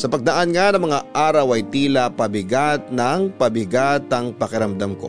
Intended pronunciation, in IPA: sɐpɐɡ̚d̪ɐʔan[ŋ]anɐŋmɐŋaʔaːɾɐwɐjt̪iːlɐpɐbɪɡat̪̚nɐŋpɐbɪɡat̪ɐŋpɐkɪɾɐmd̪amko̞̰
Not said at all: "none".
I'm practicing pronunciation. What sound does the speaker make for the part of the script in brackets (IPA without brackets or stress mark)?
ŋ